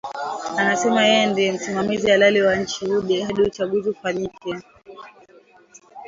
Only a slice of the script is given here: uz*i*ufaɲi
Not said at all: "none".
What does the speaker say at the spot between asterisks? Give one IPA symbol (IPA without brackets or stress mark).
i